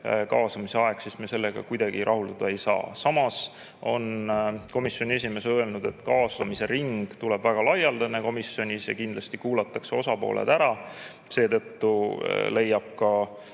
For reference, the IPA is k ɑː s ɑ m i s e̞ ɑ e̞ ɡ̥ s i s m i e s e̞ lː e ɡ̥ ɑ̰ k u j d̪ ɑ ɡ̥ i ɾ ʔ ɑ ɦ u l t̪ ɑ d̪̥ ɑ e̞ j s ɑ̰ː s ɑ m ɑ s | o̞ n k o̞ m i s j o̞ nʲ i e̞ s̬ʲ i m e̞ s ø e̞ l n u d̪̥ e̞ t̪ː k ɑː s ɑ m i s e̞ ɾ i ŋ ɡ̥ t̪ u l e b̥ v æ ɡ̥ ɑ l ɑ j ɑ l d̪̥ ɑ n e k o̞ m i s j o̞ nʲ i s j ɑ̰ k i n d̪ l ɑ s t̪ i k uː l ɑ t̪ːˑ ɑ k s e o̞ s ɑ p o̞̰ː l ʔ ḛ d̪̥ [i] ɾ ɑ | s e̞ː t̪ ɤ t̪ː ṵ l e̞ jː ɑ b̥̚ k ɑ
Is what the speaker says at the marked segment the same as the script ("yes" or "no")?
no